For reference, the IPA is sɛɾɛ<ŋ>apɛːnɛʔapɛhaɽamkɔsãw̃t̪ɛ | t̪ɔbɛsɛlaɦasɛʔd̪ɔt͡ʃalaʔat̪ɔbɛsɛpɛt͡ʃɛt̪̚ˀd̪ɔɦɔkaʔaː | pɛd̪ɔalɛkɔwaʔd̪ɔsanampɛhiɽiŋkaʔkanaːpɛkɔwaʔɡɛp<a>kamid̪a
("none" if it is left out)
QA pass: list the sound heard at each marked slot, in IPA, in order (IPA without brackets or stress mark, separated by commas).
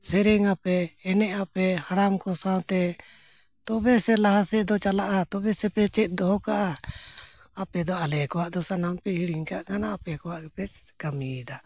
ŋ, ɛ